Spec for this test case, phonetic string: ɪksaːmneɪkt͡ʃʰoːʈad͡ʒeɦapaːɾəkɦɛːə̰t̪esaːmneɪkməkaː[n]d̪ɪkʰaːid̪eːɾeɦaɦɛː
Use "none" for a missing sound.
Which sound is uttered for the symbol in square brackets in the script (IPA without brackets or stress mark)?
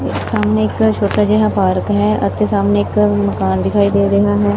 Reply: n